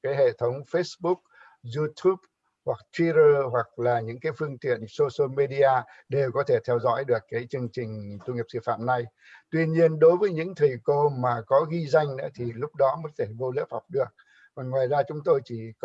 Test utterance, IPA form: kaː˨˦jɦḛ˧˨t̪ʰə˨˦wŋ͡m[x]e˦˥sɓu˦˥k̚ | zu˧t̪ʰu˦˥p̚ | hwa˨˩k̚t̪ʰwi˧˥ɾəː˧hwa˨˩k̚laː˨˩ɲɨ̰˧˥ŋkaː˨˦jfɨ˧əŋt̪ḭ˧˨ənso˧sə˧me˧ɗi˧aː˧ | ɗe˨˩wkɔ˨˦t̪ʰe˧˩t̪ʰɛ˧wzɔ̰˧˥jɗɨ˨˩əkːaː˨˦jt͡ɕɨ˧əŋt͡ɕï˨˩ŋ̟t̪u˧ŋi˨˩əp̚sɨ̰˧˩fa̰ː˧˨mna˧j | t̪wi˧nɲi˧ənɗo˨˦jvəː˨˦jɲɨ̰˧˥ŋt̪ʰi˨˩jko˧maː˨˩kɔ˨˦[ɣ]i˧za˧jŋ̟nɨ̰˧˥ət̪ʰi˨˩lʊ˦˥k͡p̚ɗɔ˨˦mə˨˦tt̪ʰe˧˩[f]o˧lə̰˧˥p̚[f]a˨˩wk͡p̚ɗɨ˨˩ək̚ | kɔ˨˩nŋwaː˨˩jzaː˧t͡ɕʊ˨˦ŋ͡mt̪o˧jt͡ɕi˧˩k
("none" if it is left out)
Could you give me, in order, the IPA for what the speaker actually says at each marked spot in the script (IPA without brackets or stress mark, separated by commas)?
f, ɣ, v, h